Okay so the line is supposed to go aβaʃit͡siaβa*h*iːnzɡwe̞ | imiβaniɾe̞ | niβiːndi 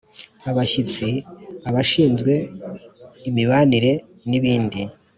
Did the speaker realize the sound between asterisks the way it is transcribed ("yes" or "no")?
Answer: no